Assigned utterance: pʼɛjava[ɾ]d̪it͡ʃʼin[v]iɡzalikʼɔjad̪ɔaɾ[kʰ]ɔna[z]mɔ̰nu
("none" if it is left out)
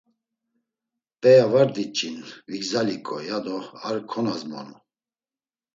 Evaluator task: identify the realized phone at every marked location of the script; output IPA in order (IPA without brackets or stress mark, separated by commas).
ɾ, v, kʰ, z